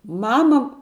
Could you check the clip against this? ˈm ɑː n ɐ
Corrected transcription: ˈm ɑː m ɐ